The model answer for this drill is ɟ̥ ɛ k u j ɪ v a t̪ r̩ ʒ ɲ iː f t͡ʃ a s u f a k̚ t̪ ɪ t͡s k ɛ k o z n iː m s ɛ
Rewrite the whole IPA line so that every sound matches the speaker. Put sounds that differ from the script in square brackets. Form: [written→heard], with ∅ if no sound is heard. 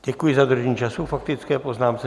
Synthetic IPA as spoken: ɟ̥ ɛ k u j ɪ [v→z] a [t̪→d̪] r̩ ʒ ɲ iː [f→∅] t͡ʃ a s u f a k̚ t̪ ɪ t͡s k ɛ [k→p] o z n [iː→aː] m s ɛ